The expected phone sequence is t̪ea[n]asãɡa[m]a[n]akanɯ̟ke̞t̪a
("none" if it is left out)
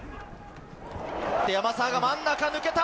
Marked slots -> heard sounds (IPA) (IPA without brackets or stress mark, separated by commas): m, m, nː